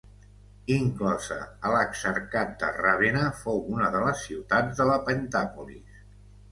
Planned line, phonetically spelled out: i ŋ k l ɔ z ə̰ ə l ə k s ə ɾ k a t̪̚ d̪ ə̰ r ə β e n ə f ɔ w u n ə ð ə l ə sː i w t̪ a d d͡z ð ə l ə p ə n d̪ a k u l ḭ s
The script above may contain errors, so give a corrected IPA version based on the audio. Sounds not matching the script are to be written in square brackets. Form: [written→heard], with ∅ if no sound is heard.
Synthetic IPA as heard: i ŋ k l ɔ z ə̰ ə l ə k s ə ɾ k a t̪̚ d̪ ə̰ r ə β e n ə f [ɔ→o] w u n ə ð ə l ə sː i w t̪ a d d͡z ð ə l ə p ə n [d̪→t̪] a [k→p] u l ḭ s

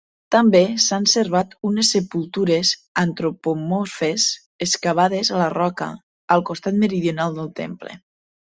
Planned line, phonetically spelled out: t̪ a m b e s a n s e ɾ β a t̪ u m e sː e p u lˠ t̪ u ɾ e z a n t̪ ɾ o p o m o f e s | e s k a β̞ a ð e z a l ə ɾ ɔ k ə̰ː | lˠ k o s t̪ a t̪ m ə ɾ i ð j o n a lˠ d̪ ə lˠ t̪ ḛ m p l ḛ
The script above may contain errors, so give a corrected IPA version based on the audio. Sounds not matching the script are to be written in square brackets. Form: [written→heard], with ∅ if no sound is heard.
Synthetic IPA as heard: t̪ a m b e s a n s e ɾ β a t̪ u [m→n] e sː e p u lˠ t̪ u ɾ e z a n t̪ ɾ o p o m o f e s | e s k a β̞ a ð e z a l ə [ɾ→r] ɔ k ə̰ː | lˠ k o s t̪ a t̪ m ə ɾ i ð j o n a lˠ d̪ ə lˠ t̪ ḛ m p l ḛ

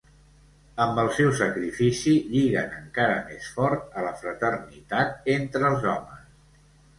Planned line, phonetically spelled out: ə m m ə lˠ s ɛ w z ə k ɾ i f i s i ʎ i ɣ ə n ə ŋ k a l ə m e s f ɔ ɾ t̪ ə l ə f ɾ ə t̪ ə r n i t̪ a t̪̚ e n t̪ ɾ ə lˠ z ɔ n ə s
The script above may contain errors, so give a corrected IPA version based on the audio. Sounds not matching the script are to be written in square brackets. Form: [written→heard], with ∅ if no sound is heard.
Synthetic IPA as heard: ə m [m→b] ə lˠ s ɛ w [z→s] ə k ɾ i f i s i ʎ i ɣ ə n ə ŋ k a [l→ɾ] ə m e s f ɔ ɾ t̪ ə l ə f ɾ ə t̪ ə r n i t̪ a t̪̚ e n t̪ ɾ ə lˠ z ɔ [n→m] ə s

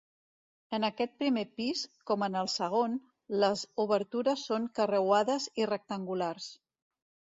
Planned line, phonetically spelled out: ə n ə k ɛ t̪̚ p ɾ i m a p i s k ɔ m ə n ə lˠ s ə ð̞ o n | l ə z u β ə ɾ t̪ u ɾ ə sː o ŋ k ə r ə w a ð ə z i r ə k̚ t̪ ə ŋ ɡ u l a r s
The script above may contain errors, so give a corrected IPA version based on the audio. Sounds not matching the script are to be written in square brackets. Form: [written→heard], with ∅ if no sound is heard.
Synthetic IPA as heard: ə n ə k ɛ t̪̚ p ɾ i m [a→e] p i s k ɔ m ə n ə lˠ s ə [ð̞→ɣ̞] o n | l ə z u β ə ɾ t̪ u ɾ ə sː o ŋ k ə r ə w a ð ə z i r ə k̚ t̪ ə ŋ ɡ u l a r s

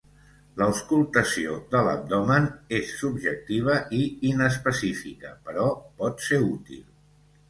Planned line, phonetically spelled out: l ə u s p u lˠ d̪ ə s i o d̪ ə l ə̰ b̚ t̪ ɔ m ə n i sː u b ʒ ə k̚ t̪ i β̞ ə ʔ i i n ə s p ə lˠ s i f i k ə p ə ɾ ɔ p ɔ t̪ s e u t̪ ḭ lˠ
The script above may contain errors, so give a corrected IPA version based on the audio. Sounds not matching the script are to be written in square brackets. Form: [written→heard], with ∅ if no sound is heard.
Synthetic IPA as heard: l ə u s [p→k] u lˠ [d̪→t̪] ə s i o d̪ ə l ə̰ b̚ [t̪→d̪] ɔ m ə n [i→e] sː u b ʒ ə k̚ t̪ i β̞ ə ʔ i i n ə s p ə [lˠ→∅] s i f i k ə p ə ɾ ɔ p ɔ t̪ s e u t̪ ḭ lˠ

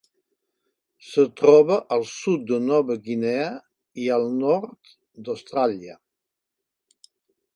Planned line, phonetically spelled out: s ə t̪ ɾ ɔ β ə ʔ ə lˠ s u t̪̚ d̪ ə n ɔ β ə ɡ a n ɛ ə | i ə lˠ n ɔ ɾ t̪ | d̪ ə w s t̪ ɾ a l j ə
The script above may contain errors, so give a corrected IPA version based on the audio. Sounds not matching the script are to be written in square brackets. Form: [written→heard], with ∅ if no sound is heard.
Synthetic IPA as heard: s ə t̪ ɾ ɔ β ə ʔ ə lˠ s u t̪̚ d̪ ə n ɔ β ə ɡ [a→i] n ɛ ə | i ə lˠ n ɔ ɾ t̪ | d̪ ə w s t̪ ɾ a l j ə

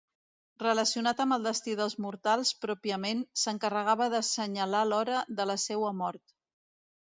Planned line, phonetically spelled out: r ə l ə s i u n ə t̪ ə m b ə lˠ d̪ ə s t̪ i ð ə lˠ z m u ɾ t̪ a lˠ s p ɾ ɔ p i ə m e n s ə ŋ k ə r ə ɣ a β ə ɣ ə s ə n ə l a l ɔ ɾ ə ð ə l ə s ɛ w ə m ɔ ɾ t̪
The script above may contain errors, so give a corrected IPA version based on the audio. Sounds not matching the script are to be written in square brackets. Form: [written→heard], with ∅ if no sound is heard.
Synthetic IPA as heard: r ə l ə s i u n [ə→a] t̪ ə m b ə lˠ d̪ ə s t̪ i ð ə lˠ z m u ɾ t̪ a lˠ s p ɾ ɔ p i ə m e n s ə ŋ k ə r ə ɣ a β ə [ɣ→ð] ə s ə [n→ɲ] ə l a l ɔ ɾ ə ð ə l ə s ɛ w ə m ɔ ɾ t̪

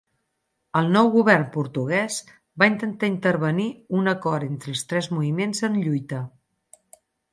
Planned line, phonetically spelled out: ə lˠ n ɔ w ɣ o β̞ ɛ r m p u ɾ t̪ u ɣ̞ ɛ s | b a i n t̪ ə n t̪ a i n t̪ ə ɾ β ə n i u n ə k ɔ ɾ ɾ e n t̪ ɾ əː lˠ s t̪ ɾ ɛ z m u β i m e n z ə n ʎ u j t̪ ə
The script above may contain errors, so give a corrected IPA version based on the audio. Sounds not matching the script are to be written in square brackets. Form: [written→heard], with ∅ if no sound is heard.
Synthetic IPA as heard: ə lˠ n ɔ w ɣ [o→u] β̞ ɛ r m p u ɾ t̪ u ɣ̞ ɛ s | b a i n t̪ ə n t̪ a i n t̪ ə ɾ β ə n i u n ə k ɔ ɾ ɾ e n t̪ ɾ [əː→ə] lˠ s t̪ ɾ ɛ z m u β i m e n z ə n ʎ u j t̪ ə

